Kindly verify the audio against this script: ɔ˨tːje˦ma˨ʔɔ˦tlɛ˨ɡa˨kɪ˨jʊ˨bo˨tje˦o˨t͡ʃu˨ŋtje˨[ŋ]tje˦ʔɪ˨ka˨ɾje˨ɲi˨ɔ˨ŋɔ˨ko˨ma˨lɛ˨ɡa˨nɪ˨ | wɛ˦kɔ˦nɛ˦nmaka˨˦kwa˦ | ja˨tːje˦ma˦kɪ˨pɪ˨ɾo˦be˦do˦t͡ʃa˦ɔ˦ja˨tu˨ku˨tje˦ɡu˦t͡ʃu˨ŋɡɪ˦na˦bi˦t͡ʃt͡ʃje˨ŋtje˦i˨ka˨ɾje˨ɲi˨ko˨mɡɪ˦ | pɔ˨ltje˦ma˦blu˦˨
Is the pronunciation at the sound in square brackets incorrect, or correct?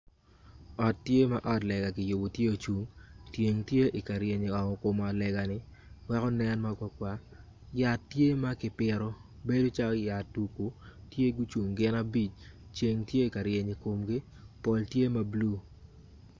correct